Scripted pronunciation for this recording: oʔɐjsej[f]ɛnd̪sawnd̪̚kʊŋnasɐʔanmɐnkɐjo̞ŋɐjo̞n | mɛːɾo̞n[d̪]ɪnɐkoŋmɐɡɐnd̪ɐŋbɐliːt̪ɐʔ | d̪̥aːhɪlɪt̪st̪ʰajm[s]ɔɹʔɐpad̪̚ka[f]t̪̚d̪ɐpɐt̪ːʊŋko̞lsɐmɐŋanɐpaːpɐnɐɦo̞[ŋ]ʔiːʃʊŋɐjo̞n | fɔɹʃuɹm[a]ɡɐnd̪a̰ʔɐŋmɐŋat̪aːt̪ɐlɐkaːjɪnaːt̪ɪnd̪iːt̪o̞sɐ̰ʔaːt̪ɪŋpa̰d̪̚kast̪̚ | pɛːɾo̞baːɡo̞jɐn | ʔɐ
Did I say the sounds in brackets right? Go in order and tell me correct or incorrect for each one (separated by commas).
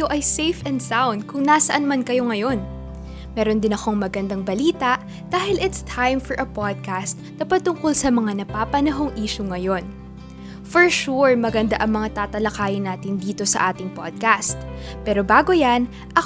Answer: correct, correct, incorrect, incorrect, correct, incorrect